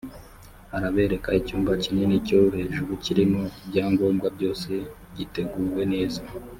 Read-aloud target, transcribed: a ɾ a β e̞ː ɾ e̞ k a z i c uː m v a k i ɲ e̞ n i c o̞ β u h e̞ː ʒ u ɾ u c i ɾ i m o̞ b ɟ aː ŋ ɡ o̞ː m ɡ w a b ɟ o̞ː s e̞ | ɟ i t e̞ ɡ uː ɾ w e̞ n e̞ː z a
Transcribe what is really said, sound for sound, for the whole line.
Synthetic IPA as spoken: a ɾ a β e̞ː ɾ e̞ k a i c uː m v a c i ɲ e̞ n i c o̞ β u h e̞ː ʒ u ɾ u c i ɾ i m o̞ b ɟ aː ŋ ɡ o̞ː m ɡ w a b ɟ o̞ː s e̞ | ɟ i t e̞ ɡ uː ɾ w e̞ n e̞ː z a